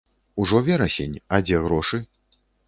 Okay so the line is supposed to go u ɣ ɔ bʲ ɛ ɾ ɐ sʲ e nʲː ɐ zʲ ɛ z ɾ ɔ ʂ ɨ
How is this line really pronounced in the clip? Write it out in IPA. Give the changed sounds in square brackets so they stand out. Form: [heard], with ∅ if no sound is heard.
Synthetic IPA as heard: u [ʐ] ɔ [vʲ] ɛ ɾ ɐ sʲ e [nʲ] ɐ [d͡zʲ] ɛ [ɣ] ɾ ɔ ʂ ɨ